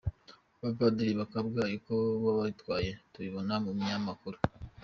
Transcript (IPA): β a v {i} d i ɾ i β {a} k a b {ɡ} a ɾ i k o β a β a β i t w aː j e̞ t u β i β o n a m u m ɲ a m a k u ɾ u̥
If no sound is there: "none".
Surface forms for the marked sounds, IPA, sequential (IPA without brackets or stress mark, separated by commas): a, a, ɡ